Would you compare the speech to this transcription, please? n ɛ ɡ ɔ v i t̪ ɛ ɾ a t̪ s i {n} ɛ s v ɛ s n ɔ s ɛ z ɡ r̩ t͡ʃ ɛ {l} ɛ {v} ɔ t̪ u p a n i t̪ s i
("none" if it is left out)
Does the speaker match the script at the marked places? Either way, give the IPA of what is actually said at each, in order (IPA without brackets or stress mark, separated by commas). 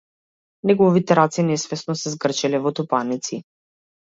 n, l, v